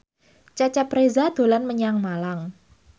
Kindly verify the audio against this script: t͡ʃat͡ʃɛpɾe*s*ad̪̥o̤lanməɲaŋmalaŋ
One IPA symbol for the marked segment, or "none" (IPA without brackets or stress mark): z